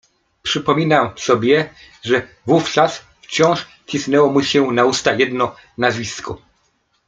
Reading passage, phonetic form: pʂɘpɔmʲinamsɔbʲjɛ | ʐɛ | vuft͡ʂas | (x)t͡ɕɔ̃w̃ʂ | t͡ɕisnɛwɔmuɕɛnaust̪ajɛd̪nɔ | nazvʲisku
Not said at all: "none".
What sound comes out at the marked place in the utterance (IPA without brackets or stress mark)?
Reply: f